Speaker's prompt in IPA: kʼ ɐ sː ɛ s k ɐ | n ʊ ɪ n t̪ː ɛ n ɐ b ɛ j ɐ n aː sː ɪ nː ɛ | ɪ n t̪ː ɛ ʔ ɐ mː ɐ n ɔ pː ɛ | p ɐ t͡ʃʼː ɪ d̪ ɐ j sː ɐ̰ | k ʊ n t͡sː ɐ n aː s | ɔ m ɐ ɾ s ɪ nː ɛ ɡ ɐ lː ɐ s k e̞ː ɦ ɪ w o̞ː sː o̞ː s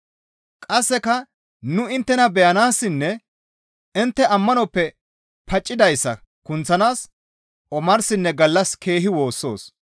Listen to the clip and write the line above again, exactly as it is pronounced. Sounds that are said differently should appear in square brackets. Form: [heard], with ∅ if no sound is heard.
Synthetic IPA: kʼ ɐ sː ɛ [∅] k ɐ | n ʊ ɪ n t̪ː ɛ n ɐ b ɛ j ɐ n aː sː ɪ nː ɛ | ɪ n t̪ː ɛ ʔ ɐ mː ɐ n ɔ pː ɛ | p ɐ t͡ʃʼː ɪ d̪ ɐ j sː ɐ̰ | k ʊ n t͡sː ɐ n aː s | ɔ m ɐ ɾ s ɪ nː ɛ ɡ ɐ lː ɐ s k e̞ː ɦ ɪ w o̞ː sː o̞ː s